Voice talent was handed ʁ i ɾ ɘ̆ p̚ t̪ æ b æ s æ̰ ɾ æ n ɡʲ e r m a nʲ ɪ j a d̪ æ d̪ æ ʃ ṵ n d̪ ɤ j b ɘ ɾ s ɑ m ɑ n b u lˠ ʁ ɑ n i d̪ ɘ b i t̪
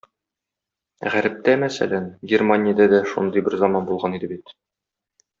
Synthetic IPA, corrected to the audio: ʁ æ ɾ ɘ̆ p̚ t̪ æ m æ s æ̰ l æ n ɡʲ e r m a nʲ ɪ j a d̪ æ d̪ æ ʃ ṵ n d̪ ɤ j b ɘ ɾ z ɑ m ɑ n b u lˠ ʁ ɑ n i d̪ ɘ b i t̪